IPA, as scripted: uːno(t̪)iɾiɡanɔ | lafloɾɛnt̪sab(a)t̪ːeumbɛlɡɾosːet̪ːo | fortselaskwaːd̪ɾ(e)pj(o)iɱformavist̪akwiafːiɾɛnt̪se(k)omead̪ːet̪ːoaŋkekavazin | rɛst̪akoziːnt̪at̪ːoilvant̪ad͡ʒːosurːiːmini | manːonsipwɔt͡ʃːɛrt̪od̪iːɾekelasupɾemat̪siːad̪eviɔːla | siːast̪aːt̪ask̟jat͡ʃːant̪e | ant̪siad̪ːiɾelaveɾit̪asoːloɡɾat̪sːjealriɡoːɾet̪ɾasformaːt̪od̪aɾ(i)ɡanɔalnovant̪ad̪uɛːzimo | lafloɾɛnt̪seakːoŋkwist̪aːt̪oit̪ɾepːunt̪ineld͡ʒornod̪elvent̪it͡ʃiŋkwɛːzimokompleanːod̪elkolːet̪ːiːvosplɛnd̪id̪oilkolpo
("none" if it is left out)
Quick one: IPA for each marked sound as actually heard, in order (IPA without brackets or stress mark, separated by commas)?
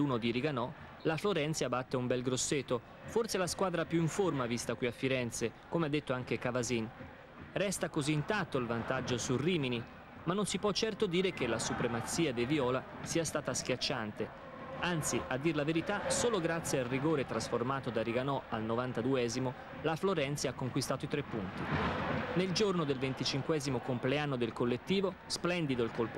d̪, a, a, u, k, i